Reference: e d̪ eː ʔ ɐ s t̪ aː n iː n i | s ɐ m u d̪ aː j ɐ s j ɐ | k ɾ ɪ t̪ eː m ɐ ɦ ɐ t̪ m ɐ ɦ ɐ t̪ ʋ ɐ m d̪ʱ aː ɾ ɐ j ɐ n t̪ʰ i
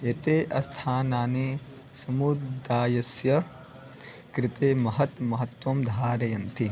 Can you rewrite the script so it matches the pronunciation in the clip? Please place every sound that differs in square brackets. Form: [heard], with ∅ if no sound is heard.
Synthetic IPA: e [t̪] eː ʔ ɐ s [t̪ʰ] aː n [aː] n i | s ɐ m u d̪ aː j ɐ s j ɐ | k ɾ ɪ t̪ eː m ɐ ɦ ɐ t̪ m ɐ ɦ ɐ t̪ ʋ ɐ m d̪ʱ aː ɾ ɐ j ɐ n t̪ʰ i

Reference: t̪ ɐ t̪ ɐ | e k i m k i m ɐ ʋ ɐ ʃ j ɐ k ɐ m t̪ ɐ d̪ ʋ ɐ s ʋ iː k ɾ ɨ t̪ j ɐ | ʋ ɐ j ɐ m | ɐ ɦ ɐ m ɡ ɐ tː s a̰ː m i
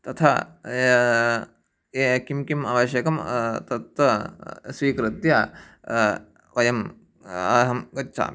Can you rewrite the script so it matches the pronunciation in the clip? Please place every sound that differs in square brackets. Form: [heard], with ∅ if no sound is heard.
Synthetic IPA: t̪ ɐ [t̪ʰ] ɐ | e k i m k i m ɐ ʋ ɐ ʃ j ɐ k ɐ m t̪ ɐ [t̪] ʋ ɐ s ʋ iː k ɾ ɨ t̪ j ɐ | ʋ ɐ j ɐ m | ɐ ɦ ɐ m ɡ ɐ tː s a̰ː m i

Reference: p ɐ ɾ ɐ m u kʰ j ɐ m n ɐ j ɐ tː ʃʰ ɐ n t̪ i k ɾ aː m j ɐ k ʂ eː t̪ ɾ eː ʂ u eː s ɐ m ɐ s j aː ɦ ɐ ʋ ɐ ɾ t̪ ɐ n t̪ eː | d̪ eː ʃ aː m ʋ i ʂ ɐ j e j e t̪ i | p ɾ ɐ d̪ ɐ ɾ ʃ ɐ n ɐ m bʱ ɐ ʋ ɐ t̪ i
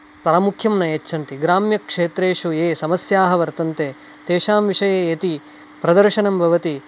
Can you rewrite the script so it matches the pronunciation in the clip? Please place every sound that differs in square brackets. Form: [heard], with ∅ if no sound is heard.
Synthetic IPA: p ɐ ɾ ɐ m u kʰ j ɐ m n ɐ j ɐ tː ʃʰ ɐ n t̪ i [ɡ] ɾ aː m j ɐ k ʂ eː t̪ ɾ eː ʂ u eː s ɐ m ɐ s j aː ɦ ɐ ʋ ɐ ɾ t̪ ɐ n t̪ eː | [t̪] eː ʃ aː m ʋ i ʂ ɐ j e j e t̪ i | p ɾ ɐ d̪ ɐ ɾ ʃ ɐ n ɐ m bʱ ɐ ʋ ɐ t̪ i

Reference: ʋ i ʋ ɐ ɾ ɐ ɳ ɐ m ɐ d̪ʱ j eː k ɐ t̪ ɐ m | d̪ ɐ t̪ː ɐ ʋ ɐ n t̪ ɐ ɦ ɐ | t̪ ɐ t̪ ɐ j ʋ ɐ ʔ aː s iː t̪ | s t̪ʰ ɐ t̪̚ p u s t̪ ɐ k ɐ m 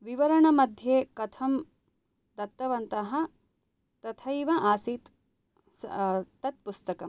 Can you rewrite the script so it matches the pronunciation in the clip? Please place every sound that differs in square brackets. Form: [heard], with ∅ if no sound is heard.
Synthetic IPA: ʋ i ʋ ɐ ɾ ɐ ɳ ɐ m ɐ d̪ʱ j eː k ɐ [t̪ʰ] ɐ m | d̪ ɐ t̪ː ɐ ʋ ɐ n t̪ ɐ ɦ ɐ | t̪ ɐ [t̪ʰ] ɐ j ʋ ɐ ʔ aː s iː t̪ | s [t̪] ɐ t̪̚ p u s t̪ ɐ k ɐ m

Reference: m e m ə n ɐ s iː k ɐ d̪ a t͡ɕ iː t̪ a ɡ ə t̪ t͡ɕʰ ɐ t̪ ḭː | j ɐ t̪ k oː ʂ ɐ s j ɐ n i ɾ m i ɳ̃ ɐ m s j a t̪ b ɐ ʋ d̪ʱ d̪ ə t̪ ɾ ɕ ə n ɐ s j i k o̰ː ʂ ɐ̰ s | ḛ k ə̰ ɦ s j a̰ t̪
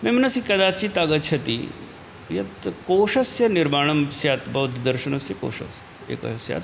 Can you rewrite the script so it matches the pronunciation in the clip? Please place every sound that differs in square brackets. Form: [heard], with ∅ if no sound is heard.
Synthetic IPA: m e m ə n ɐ s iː k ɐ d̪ a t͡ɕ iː t̪ a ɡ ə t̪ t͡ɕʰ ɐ t̪ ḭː | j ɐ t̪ k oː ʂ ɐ s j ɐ n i ɾ m [a] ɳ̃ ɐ m s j a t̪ b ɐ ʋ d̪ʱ d̪ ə [∅] ɾ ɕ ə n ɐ s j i k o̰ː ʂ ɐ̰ s | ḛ k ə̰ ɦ s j a̰ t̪

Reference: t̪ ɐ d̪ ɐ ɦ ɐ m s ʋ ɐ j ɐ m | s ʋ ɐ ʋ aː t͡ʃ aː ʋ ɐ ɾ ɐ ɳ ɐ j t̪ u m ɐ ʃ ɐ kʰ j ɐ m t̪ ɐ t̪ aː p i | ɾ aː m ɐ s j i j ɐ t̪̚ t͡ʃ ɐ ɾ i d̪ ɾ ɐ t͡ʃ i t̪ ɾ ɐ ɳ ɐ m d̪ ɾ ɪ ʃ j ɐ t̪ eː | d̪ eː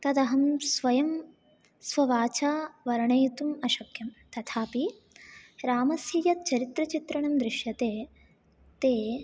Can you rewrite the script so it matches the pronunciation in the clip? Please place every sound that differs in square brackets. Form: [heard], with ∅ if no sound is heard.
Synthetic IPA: t̪ ɐ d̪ ɐ ɦ ɐ m s ʋ ɐ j ɐ m | s ʋ ɐ ʋ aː t͡ʃ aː ʋ ɐ ɾ ɐ ɳ ɐ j t̪ u m ɐ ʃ ɐ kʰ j ɐ m t̪ ɐ [t̪ʰ] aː p i | ɾ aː m ɐ s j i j ɐ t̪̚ t͡ʃ ɐ ɾ i [t̪] ɾ ɐ t͡ʃ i t̪ ɾ ɐ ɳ ɐ m d̪ ɾ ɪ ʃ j ɐ t̪ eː | [t̪] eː

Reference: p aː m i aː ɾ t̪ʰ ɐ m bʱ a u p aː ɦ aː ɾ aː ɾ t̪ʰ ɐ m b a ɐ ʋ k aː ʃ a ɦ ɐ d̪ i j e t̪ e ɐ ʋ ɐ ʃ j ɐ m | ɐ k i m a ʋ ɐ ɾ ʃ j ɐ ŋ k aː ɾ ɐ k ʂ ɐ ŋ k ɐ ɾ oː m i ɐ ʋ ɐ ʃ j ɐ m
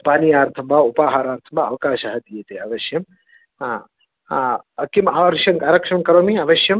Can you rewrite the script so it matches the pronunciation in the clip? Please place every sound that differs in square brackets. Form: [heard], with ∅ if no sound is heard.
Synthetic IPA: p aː [n] i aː ɾ t̪ʰ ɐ m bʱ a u p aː ɦ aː ɾ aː ɾ t̪ʰ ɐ m b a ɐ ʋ k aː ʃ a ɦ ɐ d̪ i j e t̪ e ɐ ʋ ɐ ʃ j ɐ m | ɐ k i m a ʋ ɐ ɾ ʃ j ɐ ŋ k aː ɾ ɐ k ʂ ɐ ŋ k ɐ ɾ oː m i ɐ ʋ ɐ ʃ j ɐ m

